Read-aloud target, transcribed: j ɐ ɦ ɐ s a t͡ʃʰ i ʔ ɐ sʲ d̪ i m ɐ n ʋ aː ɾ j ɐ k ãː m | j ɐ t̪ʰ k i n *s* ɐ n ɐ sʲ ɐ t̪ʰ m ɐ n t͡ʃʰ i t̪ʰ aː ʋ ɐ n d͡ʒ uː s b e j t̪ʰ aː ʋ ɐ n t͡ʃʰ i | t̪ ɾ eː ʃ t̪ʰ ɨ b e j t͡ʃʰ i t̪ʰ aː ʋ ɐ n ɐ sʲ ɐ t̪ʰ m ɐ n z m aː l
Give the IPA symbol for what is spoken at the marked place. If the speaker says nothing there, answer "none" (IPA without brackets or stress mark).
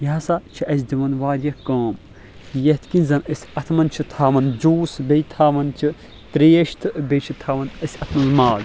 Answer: z